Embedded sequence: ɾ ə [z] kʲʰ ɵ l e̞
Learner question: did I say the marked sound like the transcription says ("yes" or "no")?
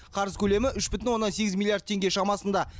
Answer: yes